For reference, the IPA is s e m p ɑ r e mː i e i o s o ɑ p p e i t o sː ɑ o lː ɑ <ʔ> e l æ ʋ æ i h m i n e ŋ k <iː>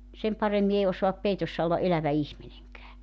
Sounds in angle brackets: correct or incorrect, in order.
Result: correct, incorrect

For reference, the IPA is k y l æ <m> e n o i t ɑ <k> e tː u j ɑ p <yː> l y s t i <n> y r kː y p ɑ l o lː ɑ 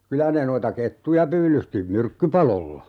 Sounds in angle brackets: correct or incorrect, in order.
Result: incorrect, correct, correct, incorrect

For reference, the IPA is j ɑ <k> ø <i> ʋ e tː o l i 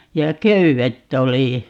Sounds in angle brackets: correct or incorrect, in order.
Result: correct, incorrect

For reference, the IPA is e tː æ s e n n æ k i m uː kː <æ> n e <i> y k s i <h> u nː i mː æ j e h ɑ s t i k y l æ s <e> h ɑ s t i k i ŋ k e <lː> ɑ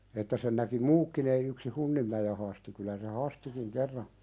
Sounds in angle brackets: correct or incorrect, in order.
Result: incorrect, correct, correct, correct, incorrect

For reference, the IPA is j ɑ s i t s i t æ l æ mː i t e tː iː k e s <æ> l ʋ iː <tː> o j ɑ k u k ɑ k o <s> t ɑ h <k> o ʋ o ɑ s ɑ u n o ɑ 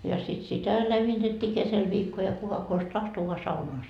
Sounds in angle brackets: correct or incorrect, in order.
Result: incorrect, incorrect, correct, incorrect

